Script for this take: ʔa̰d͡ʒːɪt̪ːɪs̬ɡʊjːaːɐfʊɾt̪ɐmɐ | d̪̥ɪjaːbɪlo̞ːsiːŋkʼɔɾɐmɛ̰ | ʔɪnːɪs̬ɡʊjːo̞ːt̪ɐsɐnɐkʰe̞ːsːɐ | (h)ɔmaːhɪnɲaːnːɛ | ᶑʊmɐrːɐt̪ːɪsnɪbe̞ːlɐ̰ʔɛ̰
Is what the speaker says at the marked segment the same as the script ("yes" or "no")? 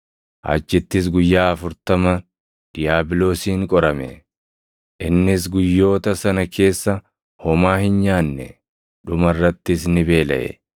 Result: yes